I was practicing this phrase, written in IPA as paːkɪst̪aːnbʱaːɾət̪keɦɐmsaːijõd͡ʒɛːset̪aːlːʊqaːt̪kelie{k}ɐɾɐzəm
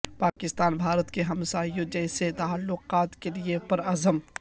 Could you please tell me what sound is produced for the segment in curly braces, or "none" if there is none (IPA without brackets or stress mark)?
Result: p